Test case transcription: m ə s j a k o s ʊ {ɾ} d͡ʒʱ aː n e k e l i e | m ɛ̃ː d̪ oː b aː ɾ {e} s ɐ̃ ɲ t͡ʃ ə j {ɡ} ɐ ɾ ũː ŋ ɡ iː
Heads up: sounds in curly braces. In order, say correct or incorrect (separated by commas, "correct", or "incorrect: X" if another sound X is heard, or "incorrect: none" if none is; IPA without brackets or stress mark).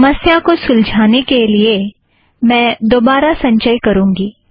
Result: incorrect: l, incorrect: a, incorrect: k